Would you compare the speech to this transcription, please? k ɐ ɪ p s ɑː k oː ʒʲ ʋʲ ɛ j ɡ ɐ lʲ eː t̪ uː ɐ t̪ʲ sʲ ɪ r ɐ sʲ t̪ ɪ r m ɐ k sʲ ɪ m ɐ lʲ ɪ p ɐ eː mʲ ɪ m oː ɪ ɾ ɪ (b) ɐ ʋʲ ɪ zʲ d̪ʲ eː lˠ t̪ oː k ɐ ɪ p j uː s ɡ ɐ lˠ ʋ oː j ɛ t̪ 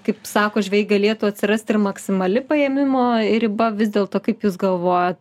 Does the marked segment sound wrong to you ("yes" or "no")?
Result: no